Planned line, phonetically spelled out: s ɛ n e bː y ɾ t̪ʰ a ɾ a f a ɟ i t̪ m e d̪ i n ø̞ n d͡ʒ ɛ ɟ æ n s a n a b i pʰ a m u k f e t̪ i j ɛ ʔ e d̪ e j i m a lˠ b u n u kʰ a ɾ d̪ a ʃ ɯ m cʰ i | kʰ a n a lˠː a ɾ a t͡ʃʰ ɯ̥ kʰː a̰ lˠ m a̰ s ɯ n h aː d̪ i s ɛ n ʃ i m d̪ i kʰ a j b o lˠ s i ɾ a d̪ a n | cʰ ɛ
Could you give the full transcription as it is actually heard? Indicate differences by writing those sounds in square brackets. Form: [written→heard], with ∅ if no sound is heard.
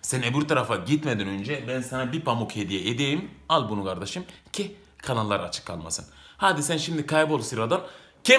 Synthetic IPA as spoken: s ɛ n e [bː→b] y ɾ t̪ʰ a ɾ a f a ɟ i t̪ m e d̪ i n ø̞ n d͡ʒ ɛ [ɟ→b] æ n s a n a b i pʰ a m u k [f→h] e [t̪→d̪] i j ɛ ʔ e d̪ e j i m a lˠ b u n u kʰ a ɾ d̪ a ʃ ɯ m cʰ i | kʰ a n a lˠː a ɾ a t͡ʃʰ ɯ̥ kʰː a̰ lˠ m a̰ s ɯ n h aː d̪ i s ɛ n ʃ i m d̪ i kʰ a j b o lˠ s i ɾ a d̪ a n | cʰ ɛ